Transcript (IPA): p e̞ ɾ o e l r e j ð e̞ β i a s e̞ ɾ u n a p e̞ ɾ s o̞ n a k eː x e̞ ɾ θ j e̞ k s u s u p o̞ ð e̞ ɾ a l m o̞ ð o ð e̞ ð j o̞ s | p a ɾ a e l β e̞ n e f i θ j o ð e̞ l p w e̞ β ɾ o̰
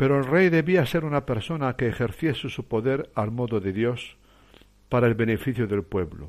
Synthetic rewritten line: p e̞ ɾ o e l r e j ð e̞ β i a s e̞ ɾ u n a p e̞ ɾ s o̞ n a k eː x e̞ ɾ θ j e̞ s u s u p o̞ ð e̞ ɾ a l m o̞ ð o ð e̞ ð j o̞ s | p a ɾ a e l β e̞ n e f i θ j o ð e̞ l p w e̞ β l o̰